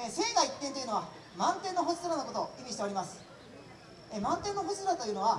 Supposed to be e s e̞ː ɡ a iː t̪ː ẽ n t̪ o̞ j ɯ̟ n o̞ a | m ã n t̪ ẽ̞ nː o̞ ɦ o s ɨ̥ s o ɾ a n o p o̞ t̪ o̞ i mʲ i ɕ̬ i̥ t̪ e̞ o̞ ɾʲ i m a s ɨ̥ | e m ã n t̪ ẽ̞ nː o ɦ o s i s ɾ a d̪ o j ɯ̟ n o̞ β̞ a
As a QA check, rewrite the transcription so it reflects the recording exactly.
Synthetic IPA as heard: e s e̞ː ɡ a i t̪ː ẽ n t̪ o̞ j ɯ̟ n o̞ a | m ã n t̪ ẽ̞ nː o̞ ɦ o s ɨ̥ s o ɾ a n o k o̞ t̪ o̞ i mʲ i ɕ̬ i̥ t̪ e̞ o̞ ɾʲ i m a s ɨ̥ | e m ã n t̪ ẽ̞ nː o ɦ o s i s ɾ a t̪ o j ɯ̟ n o̞ β̞ a